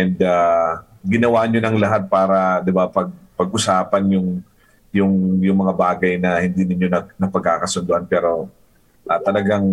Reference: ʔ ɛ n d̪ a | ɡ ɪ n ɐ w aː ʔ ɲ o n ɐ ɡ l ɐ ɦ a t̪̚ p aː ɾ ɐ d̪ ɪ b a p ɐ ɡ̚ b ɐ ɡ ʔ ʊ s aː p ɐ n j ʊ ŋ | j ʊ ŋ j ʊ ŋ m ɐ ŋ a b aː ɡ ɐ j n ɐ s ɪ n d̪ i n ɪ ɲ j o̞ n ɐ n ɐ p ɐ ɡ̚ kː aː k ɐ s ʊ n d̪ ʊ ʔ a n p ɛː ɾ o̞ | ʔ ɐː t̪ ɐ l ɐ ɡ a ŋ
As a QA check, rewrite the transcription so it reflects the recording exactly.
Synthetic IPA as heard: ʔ ɛ n d̪ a | ɡ ɪ n ɐ w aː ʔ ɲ o n ɐ ŋ l ɐ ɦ a t̪̚ p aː ɾ ɐ d̪ ɪ b a p ɐ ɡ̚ p ɐ ɡ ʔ ʊ s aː p ɐ n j ʊ ŋ | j ʊ ŋ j ʊ ŋ m ɐ ŋ a b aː ɡ ɐ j n ɐ h ɪ n d̪ i n ɪ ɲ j o̞ n ɐ n ɐ p ɐ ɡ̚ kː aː k ɐ s ʊ n d̪ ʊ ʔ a n p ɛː ɾ o̞ | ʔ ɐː t̪ ɐ l ɐ ɡ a ŋ